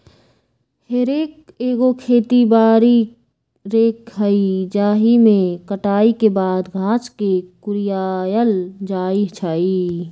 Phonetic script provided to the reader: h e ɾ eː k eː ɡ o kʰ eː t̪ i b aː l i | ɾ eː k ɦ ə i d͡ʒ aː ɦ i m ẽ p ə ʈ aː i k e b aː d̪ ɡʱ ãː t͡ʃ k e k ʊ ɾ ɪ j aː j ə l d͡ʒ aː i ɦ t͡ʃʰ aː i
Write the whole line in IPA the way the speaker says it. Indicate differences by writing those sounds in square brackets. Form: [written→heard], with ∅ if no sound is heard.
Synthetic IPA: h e ɾ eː k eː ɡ o kʰ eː t̪ i b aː [l→ɾ] i | ɾ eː k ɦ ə i d͡ʒ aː ɦ i m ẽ [p→k] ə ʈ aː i k e b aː d̪ ɡʱ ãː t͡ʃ k e k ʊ ɾ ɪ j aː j ə l d͡ʒ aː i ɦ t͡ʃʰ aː i

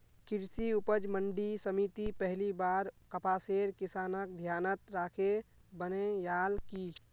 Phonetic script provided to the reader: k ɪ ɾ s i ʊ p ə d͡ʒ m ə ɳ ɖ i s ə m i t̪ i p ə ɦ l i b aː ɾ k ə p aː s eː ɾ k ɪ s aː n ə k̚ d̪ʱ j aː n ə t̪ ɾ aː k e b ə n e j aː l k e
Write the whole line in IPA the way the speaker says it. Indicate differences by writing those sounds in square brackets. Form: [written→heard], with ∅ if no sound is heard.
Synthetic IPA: k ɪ ɾ s i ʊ p ə d͡ʒ m ə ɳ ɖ i s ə m i t̪ i p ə ɦ l i b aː ɾ k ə p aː s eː ɾ k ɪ s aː n ə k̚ d̪ʱ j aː n ə t̪ ɾ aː [k→kʰ] e b ə n e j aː l k [e→i]

